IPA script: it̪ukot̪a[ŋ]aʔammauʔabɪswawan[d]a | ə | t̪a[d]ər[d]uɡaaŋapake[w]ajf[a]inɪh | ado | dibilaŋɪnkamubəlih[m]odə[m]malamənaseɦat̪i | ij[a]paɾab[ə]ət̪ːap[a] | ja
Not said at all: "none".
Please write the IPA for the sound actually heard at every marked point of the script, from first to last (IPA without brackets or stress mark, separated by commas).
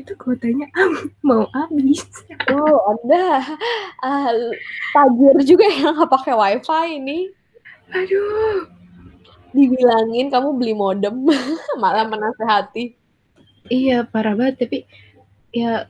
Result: ɲ, d, d͡ʒ, d͡ʒ, w, a, m, m, a, a, i